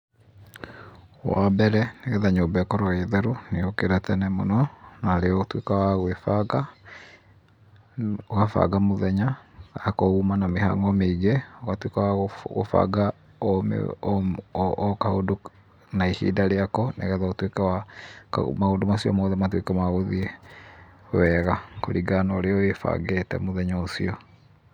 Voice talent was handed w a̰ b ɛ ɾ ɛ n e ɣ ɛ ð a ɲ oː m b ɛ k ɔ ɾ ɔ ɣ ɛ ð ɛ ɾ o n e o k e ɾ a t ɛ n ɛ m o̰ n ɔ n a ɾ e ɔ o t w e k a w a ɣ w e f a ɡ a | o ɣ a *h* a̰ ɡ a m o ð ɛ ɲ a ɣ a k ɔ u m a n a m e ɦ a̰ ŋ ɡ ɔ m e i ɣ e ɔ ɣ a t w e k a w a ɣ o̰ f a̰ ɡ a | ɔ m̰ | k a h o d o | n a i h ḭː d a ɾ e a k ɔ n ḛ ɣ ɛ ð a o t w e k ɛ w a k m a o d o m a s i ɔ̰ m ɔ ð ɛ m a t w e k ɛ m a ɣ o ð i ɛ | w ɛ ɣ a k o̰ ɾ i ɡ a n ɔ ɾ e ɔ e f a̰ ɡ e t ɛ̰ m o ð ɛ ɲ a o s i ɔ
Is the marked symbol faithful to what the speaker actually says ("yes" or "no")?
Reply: no